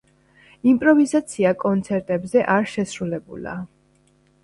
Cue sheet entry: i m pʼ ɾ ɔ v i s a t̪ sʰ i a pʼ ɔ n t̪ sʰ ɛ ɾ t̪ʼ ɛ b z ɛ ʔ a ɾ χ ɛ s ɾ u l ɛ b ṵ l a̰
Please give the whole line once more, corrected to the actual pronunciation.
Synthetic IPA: i m pʼ ɾ ɔ v i z a t̪ sʰ i a kʼ ɔ n t̪ sʰ ɛ ɾ t̪ʼ ɛ b z ɛ ʔ a ɾ ʃ ɛ s ɾ u l ɛ b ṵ l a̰